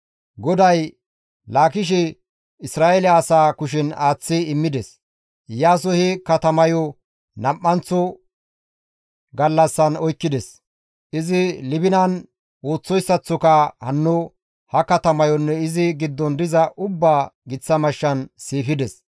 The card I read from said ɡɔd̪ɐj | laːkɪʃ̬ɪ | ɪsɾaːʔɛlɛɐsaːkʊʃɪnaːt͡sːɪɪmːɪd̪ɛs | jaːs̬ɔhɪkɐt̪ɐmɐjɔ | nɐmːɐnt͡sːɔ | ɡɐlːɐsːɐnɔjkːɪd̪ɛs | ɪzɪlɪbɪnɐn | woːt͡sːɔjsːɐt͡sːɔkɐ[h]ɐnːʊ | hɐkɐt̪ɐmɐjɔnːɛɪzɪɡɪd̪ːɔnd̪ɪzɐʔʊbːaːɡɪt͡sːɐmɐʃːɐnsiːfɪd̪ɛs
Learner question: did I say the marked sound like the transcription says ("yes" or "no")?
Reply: yes